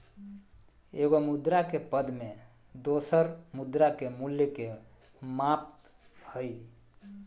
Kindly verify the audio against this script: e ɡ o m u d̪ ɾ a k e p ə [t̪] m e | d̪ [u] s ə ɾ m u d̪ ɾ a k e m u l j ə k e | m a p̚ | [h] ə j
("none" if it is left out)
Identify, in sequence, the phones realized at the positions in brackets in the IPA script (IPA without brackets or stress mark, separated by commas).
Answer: d̪, o, h